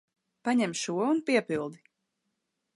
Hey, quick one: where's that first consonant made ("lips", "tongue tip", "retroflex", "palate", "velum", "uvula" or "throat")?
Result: lips